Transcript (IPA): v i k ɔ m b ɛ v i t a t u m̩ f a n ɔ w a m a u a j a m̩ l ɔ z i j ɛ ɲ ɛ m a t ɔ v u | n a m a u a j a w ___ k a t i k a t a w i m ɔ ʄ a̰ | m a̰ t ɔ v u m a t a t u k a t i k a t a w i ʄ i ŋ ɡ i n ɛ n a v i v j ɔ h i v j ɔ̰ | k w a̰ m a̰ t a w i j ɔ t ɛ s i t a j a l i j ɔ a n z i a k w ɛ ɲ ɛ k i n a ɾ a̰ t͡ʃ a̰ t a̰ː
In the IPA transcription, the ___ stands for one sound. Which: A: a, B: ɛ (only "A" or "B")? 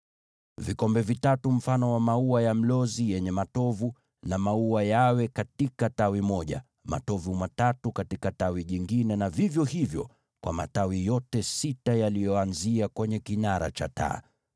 B